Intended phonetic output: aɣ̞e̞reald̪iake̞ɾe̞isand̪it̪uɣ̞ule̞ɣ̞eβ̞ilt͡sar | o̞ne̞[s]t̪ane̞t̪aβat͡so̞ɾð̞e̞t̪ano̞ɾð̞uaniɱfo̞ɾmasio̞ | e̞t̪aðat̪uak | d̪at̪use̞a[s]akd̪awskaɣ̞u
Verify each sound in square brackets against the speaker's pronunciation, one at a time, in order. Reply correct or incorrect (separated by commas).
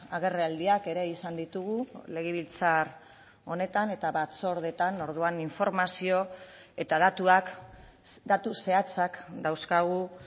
incorrect, incorrect